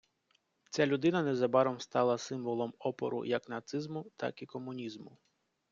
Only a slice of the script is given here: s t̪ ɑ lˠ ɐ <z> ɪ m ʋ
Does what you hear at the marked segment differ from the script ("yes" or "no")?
yes